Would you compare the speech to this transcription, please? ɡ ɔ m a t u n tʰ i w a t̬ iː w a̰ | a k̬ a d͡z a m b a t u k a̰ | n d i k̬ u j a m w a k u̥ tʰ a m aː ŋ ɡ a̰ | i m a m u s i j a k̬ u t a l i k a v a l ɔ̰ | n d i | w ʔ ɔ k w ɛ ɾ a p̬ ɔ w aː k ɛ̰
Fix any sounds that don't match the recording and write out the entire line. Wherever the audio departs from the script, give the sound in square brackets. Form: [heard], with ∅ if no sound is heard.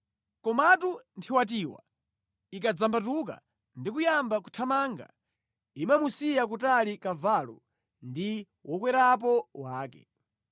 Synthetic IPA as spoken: [k] ɔ m a t u n tʰ i w a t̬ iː w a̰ | [i] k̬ a d͡z a m b a t u k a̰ | n d i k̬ u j a m [b] a k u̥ tʰ a m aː ŋ ɡ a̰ | i m a m u s i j a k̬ u t a l i k a v a l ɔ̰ | n d i | w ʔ ɔ k w ɛ ɾ a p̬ ɔ w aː k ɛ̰

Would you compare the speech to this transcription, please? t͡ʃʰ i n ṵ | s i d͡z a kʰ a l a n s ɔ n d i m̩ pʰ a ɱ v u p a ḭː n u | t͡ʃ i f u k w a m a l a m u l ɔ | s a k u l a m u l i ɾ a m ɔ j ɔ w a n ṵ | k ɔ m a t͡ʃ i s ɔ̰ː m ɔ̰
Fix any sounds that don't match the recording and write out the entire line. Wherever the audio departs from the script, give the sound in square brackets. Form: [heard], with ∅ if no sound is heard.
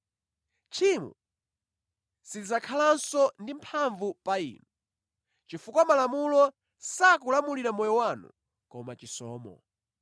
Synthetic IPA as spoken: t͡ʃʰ i [m] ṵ | s i d͡z a kʰ a l a n s ɔ n d i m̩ pʰ a ɱ v u p a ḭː n u | t͡ʃ i f u k w a m a l a m u l ɔ | s a k u l a m u l i ɾ a m ɔ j ɔ w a n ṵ | k ɔ m a t͡ʃ i s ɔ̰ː m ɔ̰

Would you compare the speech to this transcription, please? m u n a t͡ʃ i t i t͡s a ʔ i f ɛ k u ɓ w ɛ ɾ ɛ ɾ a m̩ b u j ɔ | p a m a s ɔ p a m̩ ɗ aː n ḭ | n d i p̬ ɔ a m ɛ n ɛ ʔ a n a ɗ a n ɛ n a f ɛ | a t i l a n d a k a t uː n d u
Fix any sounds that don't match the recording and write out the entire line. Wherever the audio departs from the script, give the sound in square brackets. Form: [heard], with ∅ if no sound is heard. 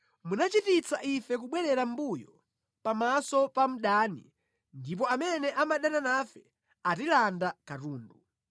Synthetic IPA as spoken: m u n a t͡ʃ i t i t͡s a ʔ i f ɛ k u ɓ w ɛ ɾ ɛ ɾ a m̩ b u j ɔ | p a m a s ɔ p a m̩ ɗ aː n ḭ | n d i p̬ ɔ a m ɛ n ɛ ʔ a [m] a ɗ a n [a] n a f ɛ | a t i l a n d a k a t uː n d u

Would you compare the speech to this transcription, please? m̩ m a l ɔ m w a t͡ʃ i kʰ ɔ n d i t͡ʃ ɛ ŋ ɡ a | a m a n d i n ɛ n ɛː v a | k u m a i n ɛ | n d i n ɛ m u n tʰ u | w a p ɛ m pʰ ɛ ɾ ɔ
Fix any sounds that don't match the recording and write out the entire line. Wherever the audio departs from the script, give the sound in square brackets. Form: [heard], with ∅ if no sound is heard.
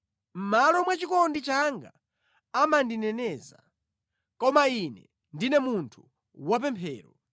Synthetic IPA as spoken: m̩ m a l ɔ m w a t͡ʃ i [k] ɔ n d i t͡ʃ [a] ŋ ɡ a | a m a n d i n ɛ n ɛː [z] a | k [ɔ] m a i n ɛ | n d i n ɛ m u n tʰ u | w a p ɛ m pʰ [ɛː] ɾ ɔ

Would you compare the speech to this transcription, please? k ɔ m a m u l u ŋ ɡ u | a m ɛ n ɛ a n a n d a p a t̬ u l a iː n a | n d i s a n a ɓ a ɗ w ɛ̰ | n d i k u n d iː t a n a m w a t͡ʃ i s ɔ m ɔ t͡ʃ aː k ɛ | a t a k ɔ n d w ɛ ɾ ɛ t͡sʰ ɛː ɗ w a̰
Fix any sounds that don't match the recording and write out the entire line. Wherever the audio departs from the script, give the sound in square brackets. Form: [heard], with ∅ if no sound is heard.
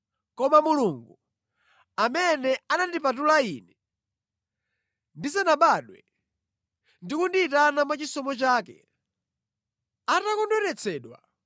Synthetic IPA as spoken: k ɔ m a m u l u ŋ ɡ u | a m ɛ n ɛ a n a n d [i] p a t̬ u l a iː n [ɛ] | n d i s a n a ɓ a ɗ w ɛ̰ | n d i k u n d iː t a n a m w a t͡ʃ i s ɔ m ɔ t͡ʃ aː k ɛ | a t a k ɔ n d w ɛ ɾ ɛ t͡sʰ ɛː ɗ w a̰

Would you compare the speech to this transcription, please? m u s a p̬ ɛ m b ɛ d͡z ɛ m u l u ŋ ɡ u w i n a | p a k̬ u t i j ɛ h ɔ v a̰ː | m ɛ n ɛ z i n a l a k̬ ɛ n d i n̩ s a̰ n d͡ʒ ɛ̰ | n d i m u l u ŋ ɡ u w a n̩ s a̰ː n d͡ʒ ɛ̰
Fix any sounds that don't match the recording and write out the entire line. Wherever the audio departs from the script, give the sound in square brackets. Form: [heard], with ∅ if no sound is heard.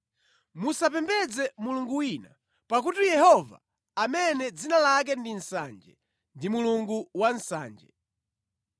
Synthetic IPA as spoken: m u s a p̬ ɛ m b ɛ d͡z ɛ m u l u ŋ ɡ u w i n a | p a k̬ u t i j ɛ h ɔ v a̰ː | m ɛ n ɛ [d͡z] i n a l a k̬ ɛ n d i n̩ s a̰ n d͡ʒ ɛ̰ | n d i m u l u ŋ ɡ u w a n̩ s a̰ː n d͡ʒ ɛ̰

